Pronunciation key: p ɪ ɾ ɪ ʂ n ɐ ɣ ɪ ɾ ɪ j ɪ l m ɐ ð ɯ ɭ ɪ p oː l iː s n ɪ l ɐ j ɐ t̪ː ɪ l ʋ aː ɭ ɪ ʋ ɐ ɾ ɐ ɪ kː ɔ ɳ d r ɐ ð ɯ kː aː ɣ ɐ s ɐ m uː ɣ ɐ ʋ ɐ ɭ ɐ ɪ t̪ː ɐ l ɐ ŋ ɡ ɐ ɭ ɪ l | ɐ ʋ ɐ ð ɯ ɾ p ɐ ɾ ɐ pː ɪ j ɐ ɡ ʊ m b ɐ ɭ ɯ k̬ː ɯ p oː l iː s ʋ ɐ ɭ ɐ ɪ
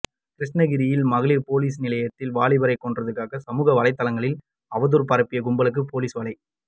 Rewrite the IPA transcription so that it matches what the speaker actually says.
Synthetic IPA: k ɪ ɾ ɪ ʂ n ɐ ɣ ɪ ɾ ɪ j ɪ l m ɐ ɣ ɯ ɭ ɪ p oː l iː s n ɪ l ɐ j ɐ t̪ː ɪ l ʋ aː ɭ ɪ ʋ ɐ ɾ ɐ ɪ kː ɔ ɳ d r ɐ ð ɯ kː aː ɣ ɐ s ɐ m uː ɣ ɐ ʋ ɐ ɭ ɐ ɪ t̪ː ɐ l ɐ ŋ ɡ ɐ ɭ ɪ l | ɐ ʋ ɐ ð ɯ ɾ p ɐ ɾ ɐ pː ɪ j ɐ ɡ ʊ m b ɐ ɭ ɯ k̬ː ɯ p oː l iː s ʋ ɐ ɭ ɐ ɪ